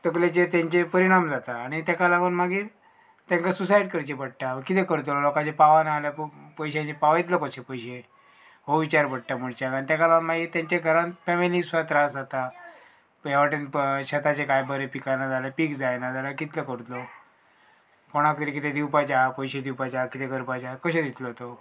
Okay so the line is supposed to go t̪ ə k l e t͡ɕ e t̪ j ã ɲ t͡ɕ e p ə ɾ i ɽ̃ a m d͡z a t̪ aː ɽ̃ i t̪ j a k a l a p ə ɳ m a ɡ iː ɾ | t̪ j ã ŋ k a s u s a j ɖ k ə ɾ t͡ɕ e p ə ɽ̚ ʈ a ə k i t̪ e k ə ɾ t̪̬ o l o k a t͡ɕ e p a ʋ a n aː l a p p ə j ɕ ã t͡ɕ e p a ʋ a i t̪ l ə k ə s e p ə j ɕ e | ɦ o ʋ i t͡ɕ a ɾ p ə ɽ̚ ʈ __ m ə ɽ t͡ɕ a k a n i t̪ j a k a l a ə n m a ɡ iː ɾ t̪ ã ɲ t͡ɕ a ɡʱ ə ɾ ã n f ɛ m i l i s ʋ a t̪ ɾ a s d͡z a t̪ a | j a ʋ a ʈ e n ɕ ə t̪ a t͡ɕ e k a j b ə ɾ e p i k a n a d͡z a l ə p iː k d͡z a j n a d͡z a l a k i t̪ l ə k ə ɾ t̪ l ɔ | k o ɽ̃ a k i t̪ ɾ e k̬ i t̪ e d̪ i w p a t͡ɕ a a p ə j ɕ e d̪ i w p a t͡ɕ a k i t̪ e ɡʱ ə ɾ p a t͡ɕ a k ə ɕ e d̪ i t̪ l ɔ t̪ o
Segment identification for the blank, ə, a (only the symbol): a